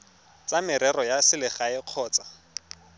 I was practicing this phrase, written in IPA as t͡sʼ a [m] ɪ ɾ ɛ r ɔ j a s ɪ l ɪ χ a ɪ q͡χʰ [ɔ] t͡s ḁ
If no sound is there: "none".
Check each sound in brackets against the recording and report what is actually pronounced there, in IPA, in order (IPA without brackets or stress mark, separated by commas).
m, ɔː